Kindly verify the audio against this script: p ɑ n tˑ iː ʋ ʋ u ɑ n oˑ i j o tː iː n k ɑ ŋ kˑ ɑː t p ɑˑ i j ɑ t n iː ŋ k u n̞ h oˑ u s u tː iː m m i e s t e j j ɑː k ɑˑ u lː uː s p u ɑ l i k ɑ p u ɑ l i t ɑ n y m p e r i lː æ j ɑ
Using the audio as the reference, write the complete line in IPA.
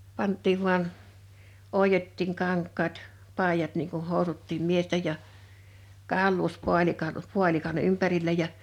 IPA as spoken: p ɑ n tˑ iː ʋ ʋ u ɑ n oˑ i j o tː iː ŋ k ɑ ŋ kˑ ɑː t p ɑˑ i j ɑ t n iː ŋ k u n̞ h oˑ u s u tː iː m m i e s t e j j ɑ k ɑˑ u lː uː s p u ɑ l i k ɑ p u ɑ l i k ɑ n y m p æ r i lː æ j ɑ